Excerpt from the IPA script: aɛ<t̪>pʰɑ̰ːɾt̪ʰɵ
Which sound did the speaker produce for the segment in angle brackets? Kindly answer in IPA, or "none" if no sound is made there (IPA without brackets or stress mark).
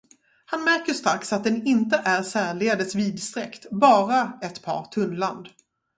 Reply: t̪